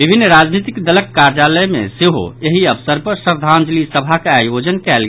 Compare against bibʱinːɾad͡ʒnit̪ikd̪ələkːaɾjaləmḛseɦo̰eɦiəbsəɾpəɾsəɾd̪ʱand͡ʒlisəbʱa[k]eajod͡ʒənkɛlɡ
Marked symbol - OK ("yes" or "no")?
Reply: yes